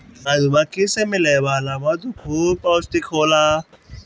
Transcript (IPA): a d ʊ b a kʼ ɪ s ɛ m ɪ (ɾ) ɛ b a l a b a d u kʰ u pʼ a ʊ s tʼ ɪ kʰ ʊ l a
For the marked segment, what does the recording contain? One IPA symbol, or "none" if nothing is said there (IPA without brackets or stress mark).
l